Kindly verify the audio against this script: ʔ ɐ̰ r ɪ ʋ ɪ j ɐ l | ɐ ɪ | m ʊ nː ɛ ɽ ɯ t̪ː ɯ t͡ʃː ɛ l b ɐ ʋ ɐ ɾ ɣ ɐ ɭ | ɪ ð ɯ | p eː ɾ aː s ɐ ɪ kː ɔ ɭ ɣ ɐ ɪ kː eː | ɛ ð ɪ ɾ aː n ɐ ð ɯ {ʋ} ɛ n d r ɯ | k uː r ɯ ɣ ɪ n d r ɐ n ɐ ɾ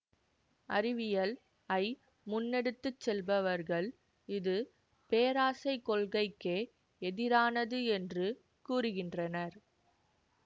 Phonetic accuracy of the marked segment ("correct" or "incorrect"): incorrect